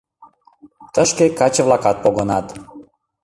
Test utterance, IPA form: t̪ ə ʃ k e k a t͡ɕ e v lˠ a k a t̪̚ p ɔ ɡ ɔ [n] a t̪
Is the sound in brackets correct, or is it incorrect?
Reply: correct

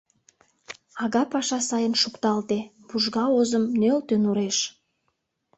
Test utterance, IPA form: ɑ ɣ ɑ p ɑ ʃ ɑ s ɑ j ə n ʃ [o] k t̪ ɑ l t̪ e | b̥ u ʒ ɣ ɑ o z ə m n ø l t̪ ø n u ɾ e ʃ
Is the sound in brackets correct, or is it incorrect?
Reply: incorrect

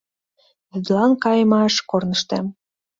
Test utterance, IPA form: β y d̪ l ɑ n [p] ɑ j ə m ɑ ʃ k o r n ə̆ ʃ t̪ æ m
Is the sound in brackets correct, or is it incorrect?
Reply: incorrect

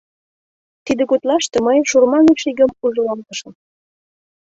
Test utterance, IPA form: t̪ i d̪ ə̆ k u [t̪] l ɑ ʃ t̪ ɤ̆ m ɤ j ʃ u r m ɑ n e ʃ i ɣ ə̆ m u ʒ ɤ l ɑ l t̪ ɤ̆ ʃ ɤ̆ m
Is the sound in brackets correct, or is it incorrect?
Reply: correct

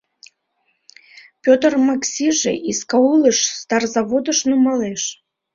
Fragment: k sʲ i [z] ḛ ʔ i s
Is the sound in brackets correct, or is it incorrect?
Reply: incorrect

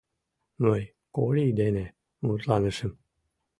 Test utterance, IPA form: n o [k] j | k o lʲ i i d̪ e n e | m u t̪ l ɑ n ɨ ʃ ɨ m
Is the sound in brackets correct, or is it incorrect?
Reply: incorrect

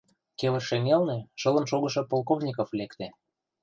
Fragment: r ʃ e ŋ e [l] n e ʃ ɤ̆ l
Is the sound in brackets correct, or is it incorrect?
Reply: correct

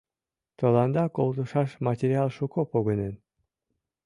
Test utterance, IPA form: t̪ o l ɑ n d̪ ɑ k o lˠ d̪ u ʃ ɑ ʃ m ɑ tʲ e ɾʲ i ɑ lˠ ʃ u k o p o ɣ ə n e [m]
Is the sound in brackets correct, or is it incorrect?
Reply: incorrect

